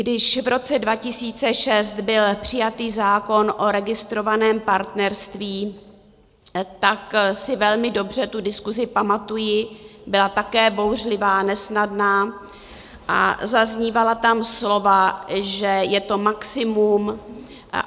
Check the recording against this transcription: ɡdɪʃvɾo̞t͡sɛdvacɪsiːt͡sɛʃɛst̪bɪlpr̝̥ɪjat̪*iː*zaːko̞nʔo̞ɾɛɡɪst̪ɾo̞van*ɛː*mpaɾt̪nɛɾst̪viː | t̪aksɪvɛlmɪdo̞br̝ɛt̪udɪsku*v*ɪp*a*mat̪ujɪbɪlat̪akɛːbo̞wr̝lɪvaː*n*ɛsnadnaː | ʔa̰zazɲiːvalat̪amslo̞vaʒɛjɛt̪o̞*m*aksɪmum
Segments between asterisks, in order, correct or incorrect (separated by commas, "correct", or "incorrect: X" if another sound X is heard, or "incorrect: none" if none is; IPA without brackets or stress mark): correct, correct, incorrect: z, correct, correct, correct